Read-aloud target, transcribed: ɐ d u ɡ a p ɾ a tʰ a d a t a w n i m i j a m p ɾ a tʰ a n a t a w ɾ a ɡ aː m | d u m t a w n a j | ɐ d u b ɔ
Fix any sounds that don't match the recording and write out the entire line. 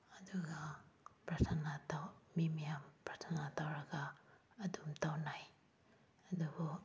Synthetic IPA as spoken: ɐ d u ɡ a p ɾ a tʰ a n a t a w m i m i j a m p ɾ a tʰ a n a t a w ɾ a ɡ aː | d u m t a w n a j | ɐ d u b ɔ